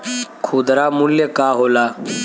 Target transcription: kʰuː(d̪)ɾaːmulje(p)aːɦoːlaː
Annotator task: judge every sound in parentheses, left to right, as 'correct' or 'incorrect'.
correct, incorrect: k

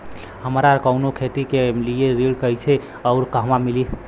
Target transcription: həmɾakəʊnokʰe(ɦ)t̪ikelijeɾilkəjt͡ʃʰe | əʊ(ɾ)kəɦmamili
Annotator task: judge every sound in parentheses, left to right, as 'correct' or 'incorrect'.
incorrect: none, correct

